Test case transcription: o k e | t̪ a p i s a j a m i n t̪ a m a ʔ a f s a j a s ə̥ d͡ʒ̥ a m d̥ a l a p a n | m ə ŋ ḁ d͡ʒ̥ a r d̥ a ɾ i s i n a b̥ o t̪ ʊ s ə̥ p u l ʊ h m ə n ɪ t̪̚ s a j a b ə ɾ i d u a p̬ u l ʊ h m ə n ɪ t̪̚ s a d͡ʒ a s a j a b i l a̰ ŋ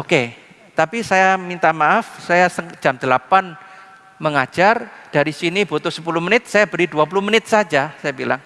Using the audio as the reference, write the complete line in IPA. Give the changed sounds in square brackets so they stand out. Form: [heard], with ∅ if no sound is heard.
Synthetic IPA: o k e | t̪ a p i s a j a m i n t̪ a m a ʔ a f s a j a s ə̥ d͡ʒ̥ a m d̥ [ə] l a p a n | m ə ŋ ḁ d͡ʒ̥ a r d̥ a ɾ i s i n [i] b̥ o t̪ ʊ s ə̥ p u l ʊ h m ə n ɪ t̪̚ s a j a b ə ɾ i d u a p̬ u l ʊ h m ə n ɪ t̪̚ s a d͡ʒ a s a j a b i l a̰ ŋ